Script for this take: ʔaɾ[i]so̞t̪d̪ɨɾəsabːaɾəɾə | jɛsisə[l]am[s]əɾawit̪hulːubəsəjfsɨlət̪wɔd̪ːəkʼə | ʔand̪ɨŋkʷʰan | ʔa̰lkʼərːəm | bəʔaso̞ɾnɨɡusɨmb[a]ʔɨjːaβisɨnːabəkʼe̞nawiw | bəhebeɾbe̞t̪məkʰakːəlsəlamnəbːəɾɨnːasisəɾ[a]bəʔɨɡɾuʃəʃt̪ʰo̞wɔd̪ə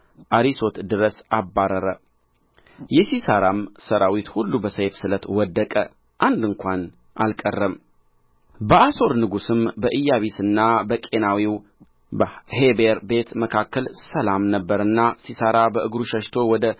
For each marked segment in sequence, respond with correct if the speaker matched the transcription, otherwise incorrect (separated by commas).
correct, incorrect, correct, incorrect, correct